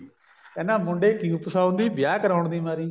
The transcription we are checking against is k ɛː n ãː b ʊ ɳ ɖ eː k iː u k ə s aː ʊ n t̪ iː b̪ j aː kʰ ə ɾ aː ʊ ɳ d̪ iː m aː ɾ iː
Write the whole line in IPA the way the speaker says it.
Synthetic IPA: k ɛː n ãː m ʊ ɳ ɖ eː k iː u p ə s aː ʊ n d̪ iː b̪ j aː k ə ɾ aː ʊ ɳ d̪ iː m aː ɾ iː